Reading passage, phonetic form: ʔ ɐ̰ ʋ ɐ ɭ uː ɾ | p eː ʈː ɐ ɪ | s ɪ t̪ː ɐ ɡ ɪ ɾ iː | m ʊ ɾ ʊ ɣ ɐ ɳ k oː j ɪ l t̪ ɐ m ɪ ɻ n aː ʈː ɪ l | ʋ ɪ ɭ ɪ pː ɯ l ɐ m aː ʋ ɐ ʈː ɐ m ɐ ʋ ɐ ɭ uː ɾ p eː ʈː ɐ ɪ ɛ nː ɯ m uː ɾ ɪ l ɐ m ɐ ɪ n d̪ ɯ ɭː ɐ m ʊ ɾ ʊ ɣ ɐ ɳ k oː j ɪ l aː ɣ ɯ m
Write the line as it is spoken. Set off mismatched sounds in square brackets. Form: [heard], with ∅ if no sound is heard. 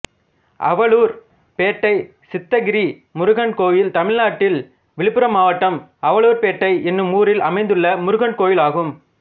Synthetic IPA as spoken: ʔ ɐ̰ ʋ ɐ ɭ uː ɾ | p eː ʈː ɐ ɪ | s ɪ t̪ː ɐ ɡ ɪ ɾ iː | m ʊ ɾ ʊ ɣ ɐ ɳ k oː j ɪ l t̪ ɐ m ɪ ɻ n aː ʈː ɪ l | ʋ ɪ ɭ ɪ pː ɯ [ɾ] ɐ m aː ʋ ɐ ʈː ɐ m ɐ ʋ ɐ ɭ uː ɾ p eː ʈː ɐ ɪ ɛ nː ɯ m uː ɾ ɪ l ɐ m ɐ ɪ n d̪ ɯ ɭː ɐ m ʊ ɾ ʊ ɣ ɐ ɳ k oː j ɪ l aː ɣ ɯ m